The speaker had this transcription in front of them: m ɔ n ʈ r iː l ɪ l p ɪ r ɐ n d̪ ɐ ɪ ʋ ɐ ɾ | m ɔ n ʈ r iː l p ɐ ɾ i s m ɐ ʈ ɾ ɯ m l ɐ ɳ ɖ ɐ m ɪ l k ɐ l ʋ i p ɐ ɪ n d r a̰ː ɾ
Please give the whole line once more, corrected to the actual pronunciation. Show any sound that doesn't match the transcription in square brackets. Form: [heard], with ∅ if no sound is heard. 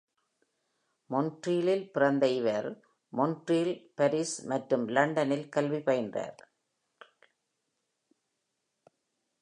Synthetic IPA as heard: m ɔ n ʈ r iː l ɪ l p ɪ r ɐ n d̪ ɐ ɪ ʋ ɐ ɾ | m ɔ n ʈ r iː l p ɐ ɾ i s m ɐ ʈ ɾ ɯ m l ɐ ɳ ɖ ɐ [n] ɪ l k ɐ l ʋ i p ɐ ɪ n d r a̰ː ɾ